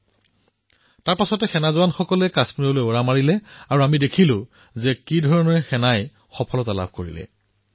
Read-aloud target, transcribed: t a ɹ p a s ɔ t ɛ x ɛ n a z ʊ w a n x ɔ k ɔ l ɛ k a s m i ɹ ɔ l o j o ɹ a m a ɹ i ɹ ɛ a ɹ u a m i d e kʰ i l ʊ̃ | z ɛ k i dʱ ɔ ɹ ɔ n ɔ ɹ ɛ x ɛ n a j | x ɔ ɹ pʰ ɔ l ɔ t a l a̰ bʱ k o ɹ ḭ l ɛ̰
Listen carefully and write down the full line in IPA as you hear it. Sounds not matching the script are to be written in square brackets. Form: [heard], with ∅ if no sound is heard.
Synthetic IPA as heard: t a ɹ p a s ɔ t ɛ x ɛ n a z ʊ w a n x ɔ k ɔ l ɛ k a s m i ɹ ɔ l o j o ɹ a m a ɹ i [l] ɛ a ɹ u a m i d e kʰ i l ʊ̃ | z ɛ k i dʱ ɔ ɹ ɔ n ɔ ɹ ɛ x ɛ n a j | x ɔ [∅] pʰ ɔ l ɔ t a l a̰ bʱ k o ɹ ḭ l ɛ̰